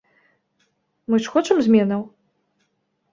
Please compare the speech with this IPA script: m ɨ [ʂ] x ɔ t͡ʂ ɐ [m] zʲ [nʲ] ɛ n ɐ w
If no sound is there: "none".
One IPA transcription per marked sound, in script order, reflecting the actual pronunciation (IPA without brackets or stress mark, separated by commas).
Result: ʂ, m, mʲ